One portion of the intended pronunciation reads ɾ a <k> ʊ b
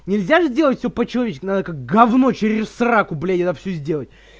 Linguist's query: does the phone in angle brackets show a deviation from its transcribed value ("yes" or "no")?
no